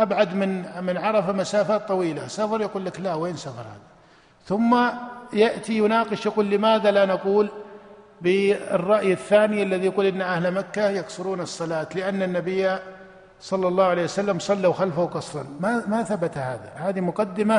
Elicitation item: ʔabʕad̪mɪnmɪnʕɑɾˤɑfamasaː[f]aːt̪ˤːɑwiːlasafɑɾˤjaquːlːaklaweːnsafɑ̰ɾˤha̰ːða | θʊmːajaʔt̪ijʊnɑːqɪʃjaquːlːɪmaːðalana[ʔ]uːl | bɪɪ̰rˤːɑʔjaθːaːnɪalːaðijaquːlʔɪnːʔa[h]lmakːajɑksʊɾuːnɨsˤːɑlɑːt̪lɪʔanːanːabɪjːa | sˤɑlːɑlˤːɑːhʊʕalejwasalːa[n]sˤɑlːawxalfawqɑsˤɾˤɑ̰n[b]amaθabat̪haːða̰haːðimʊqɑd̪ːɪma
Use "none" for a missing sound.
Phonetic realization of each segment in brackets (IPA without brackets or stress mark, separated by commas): f, q, h, m, m